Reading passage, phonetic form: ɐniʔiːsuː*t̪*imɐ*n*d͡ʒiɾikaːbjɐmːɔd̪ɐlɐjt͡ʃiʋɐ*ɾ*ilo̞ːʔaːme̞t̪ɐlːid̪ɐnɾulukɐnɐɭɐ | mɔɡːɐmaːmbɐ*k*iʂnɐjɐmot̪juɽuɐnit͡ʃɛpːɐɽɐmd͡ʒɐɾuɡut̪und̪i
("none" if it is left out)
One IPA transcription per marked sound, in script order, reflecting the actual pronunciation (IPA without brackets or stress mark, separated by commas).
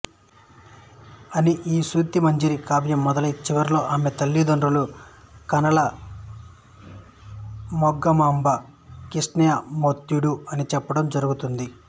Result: t̪, ɲ, ɾ, k